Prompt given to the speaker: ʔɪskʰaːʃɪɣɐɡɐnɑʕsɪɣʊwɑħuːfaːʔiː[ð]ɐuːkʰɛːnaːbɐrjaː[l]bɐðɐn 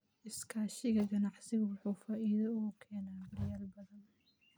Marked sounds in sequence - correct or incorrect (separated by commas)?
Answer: correct, correct